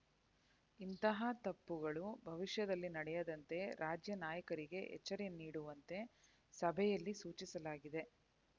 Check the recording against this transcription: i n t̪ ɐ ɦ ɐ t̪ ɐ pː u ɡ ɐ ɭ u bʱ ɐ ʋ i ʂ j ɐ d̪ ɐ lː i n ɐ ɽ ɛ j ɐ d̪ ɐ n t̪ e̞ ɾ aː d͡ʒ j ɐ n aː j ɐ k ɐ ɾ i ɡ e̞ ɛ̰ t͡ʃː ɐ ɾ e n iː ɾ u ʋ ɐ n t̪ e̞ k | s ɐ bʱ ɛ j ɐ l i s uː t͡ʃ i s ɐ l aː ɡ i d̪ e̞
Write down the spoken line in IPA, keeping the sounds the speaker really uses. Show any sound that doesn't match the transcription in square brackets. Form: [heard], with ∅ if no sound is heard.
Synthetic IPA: i n t̪ ɐ ɦ ɐ t̪ ɐ pː u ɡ ɐ ɭ u bʱ ɐ ʋ i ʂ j ɐ d̪ ɐ lː i n ɐ ɽ ɛ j ɐ d̪ ɐ n t̪ e̞ ɾ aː d͡ʒ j ɐ n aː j ɐ k ɐ ɾ i ɡ e̞ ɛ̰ t͡ʃː ɐ ɾ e n iː [ɽ] u ʋ ɐ n t̪ e̞ [∅] | s ɐ bʱ ɛ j ɐ [lː] i s uː t͡ʃ i s ɐ l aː ɡ i d̪ e̞